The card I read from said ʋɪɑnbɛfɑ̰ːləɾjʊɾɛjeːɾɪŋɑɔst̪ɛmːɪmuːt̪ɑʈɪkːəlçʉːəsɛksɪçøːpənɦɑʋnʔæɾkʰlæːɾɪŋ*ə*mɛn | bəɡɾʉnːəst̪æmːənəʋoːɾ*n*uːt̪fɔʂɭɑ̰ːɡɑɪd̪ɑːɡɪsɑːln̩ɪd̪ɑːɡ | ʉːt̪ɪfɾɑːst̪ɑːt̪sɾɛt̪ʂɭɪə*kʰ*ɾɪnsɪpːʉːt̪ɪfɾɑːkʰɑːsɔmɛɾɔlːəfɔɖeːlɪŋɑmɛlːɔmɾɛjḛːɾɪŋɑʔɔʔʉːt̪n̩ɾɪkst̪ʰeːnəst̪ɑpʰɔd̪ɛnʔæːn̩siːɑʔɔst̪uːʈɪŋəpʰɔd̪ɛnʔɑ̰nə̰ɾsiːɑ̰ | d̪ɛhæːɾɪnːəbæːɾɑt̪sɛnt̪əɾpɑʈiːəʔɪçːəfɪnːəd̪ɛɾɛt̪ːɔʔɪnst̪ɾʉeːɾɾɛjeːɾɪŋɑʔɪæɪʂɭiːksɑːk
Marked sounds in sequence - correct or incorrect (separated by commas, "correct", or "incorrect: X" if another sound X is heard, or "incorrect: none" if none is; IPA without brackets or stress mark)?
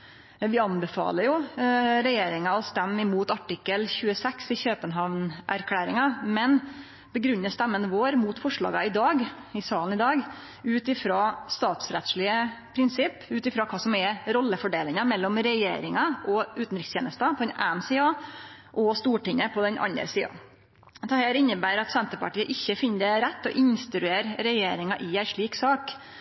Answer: incorrect: ɑ, incorrect: m, incorrect: pʰ